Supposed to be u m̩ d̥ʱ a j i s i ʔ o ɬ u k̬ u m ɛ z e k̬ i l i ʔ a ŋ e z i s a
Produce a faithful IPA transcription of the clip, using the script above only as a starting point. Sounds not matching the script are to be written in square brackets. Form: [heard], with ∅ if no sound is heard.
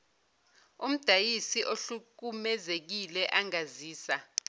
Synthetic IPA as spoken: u m̩ d̥ʱ a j i s i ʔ o ɬ u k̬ u m ɛ z e k̬ i l [ɛ] ʔ a ŋ [a] z [iː] s a

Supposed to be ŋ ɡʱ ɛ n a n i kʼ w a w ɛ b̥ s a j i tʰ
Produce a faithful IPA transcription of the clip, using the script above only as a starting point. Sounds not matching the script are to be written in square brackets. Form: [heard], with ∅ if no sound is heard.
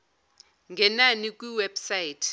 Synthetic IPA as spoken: ŋ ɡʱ ɛ n a n i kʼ w [i] w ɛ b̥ s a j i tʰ

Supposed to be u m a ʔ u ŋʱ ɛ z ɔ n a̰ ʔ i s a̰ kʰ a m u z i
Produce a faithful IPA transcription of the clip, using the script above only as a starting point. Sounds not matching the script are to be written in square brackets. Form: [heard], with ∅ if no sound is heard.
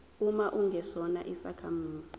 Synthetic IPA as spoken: u m a ʔ u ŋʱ ɛ [s] ɔ n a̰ ʔ i s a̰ kʰ a m [uː] z i

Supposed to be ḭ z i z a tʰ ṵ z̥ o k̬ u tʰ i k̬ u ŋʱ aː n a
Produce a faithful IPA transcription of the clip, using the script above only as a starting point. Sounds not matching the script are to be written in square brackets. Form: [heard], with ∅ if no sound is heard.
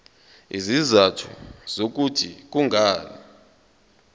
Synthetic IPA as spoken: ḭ z i z a tʰ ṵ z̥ o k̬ u tʰ i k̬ u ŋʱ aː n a

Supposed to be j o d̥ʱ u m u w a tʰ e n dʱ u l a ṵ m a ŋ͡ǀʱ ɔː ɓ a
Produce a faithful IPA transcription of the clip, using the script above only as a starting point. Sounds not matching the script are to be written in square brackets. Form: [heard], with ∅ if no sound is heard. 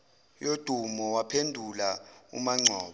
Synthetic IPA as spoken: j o d̥ʱ u m [ɔ] w a [pʰ] e n dʱ u l a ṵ m a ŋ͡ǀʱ ɔː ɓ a

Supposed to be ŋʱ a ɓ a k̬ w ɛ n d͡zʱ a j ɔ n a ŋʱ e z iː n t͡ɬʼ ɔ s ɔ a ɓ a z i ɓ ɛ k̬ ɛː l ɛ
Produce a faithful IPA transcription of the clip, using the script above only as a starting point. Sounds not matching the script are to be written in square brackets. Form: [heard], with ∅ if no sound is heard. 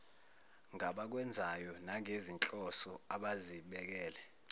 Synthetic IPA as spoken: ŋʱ a ɓ a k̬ w ɛ n d͡zʱ a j ɔ n a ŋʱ e z [i] n t͡ɬʼ ɔ s ɔ a ɓ a z i ɓ ɛ k̬ ɛː l ɛ

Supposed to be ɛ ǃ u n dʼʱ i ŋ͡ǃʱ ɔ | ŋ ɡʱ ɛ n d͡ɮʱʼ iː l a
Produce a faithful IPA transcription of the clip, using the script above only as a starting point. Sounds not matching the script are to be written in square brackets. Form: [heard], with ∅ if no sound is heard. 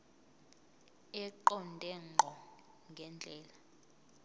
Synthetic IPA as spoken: ɛ ǃ [ɔ] n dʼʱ [ɛ] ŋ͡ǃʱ ɔ | ŋ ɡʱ ɛ n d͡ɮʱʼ [ɛː] l a

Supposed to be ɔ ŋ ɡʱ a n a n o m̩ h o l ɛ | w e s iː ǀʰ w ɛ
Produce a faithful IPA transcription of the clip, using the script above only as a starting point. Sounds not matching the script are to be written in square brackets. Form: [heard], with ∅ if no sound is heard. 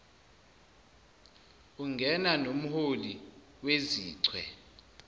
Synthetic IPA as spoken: [u] ŋ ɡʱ [ɛ] n a n o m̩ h o l [i] | w e [z] iː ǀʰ w ɛ

